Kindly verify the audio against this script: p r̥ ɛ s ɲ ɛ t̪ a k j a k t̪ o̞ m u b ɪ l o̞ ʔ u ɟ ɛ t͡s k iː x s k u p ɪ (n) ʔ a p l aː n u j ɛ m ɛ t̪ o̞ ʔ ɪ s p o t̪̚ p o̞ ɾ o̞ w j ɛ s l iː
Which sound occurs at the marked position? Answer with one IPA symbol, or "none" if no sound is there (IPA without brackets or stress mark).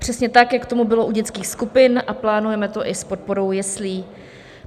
n